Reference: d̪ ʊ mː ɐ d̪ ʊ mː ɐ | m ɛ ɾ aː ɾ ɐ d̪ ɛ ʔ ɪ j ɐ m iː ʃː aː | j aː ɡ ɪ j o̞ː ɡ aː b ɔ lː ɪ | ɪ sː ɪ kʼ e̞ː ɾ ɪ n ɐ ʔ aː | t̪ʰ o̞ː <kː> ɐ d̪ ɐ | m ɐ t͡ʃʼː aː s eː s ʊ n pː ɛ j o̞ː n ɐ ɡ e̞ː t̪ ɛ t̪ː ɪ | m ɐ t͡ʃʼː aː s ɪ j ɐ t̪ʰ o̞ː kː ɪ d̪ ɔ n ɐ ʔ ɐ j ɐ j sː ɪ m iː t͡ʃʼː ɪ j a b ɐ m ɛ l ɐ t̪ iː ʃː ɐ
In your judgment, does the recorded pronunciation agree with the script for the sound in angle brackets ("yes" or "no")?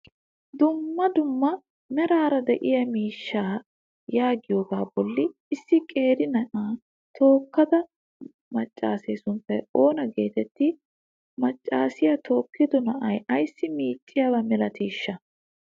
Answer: yes